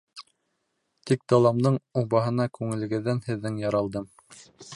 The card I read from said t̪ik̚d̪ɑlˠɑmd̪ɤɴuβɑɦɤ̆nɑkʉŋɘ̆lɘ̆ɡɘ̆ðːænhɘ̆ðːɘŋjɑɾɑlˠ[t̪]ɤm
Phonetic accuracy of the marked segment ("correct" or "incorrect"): incorrect